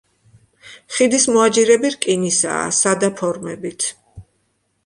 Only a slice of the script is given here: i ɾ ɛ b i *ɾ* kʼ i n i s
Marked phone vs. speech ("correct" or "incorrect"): correct